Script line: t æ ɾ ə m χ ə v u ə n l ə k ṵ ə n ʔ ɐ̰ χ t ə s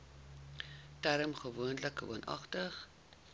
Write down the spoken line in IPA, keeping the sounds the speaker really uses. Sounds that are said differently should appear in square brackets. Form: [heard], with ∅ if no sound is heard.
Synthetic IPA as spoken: t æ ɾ ə m χ ə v u ə n l ə k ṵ ə n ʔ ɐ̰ χ t ə [χ]